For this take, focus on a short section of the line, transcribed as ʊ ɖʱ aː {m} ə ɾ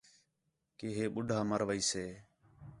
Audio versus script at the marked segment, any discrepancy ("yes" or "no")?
no